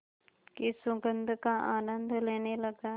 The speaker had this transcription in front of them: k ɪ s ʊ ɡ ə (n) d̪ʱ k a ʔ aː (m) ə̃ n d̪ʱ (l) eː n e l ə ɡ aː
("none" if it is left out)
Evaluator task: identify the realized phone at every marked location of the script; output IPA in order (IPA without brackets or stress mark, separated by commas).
n, n, l